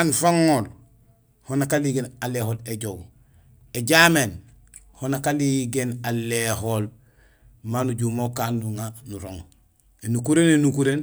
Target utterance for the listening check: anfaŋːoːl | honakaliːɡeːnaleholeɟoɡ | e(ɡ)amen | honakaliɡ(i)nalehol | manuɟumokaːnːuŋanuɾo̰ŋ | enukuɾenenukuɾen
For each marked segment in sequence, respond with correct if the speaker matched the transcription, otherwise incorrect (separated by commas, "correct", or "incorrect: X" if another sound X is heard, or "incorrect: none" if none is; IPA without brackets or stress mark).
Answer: incorrect: ɟ, incorrect: e